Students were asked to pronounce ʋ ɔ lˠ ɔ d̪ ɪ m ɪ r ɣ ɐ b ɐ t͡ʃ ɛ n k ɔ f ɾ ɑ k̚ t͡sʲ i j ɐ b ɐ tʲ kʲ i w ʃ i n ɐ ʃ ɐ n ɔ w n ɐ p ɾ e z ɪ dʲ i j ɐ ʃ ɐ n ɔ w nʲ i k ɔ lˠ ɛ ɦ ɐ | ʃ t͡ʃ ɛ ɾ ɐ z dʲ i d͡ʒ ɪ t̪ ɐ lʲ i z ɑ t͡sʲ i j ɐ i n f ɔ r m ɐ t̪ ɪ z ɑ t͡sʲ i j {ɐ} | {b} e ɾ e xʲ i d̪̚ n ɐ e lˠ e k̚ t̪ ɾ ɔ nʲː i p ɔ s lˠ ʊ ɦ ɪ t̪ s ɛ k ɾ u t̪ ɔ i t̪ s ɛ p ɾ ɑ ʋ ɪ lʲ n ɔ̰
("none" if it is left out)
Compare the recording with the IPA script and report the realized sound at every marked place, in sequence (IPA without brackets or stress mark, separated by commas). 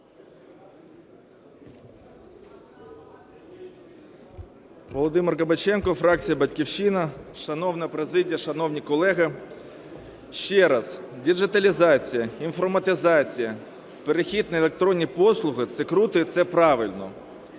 ɐ, p